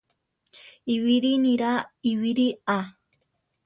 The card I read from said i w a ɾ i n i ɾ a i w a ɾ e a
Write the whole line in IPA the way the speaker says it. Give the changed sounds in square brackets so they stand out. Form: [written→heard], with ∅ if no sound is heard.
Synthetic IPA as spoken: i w [a→i] ɾ i n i ɾ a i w [a→i] ɾ [e→i] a